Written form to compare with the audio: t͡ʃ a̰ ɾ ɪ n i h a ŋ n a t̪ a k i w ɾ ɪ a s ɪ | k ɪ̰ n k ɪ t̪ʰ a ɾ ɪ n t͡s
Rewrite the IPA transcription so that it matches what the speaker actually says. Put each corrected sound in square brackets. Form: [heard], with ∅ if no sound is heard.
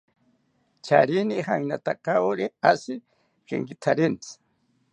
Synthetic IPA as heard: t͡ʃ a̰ ɾ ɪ n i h a ŋ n a t̪ a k [a] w ɾ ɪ a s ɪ | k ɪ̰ [ŋ] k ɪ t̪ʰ a ɾ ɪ n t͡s